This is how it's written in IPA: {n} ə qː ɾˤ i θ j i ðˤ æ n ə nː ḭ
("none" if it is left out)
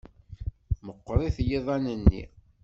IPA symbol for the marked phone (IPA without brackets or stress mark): m